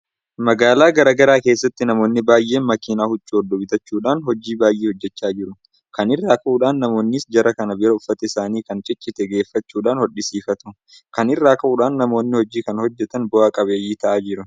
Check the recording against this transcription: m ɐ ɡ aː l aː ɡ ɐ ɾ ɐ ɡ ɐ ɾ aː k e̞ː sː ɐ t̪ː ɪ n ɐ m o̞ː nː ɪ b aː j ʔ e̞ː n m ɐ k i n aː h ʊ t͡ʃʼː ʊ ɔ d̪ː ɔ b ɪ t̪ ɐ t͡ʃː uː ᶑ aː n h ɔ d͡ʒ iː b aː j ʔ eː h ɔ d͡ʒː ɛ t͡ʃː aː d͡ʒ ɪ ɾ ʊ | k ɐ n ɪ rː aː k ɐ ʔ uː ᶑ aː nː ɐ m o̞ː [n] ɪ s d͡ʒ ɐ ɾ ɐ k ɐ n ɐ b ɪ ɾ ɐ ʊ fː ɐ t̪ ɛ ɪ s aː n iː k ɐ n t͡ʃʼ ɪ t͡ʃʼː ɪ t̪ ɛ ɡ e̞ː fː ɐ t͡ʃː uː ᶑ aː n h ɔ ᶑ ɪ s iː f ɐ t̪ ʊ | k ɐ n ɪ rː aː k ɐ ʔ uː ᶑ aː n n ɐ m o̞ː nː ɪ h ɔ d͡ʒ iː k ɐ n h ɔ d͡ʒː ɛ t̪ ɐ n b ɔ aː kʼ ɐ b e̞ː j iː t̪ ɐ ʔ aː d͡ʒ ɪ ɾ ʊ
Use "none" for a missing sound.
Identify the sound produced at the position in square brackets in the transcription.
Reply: nː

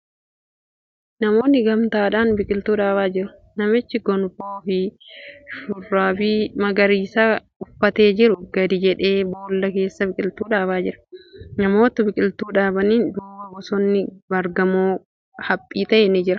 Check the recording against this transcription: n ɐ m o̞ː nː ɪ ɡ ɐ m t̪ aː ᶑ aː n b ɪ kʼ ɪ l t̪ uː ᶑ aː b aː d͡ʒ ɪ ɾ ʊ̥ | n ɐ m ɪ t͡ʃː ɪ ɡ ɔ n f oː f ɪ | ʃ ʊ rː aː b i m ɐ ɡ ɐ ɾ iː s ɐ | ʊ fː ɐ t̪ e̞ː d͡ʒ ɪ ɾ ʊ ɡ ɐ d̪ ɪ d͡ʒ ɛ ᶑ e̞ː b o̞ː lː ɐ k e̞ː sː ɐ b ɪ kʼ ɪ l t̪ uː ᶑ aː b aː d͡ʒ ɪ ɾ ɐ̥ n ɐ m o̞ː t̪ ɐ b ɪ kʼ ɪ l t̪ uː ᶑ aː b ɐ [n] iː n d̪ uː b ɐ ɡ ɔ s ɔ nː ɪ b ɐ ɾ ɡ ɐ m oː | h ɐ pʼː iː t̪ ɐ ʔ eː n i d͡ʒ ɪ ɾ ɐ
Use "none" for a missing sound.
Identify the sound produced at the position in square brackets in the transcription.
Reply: n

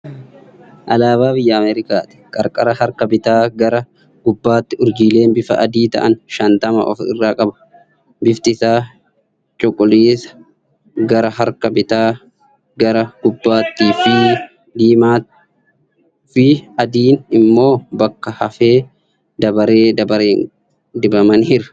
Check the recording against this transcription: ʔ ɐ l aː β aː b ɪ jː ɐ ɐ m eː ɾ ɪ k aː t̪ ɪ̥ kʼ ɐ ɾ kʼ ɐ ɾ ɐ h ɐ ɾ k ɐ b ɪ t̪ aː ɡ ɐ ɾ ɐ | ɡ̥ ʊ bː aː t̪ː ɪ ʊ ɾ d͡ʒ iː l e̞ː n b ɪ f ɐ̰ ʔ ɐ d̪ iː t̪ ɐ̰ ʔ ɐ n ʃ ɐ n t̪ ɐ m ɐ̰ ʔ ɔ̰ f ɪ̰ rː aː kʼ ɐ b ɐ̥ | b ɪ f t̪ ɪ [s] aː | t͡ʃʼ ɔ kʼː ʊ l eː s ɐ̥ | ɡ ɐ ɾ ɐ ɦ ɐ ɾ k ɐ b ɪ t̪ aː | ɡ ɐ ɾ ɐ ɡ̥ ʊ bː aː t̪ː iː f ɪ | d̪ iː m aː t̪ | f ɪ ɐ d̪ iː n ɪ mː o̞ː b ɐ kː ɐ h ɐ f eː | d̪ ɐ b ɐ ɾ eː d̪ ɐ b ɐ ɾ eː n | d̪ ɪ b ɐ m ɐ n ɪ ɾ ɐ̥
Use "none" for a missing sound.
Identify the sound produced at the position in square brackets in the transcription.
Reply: s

